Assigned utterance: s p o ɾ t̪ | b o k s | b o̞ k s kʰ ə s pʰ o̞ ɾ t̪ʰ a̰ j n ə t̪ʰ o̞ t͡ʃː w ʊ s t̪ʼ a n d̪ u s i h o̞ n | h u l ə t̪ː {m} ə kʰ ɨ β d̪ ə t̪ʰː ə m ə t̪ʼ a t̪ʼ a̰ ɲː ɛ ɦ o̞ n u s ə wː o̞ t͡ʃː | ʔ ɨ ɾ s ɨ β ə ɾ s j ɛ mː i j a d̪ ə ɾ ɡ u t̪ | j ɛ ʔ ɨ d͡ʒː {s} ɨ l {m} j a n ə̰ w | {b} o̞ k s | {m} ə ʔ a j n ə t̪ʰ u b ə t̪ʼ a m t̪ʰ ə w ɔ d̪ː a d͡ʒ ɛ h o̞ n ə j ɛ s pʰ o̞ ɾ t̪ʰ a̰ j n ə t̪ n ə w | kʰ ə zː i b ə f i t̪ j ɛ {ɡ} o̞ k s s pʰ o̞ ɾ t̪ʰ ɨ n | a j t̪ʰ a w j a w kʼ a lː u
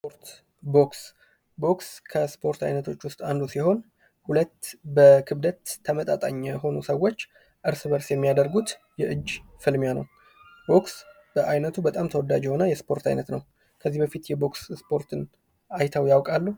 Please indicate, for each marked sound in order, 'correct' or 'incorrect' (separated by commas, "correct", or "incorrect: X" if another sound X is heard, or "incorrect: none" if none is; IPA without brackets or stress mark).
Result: incorrect: b, incorrect: f, correct, correct, incorrect: b, incorrect: b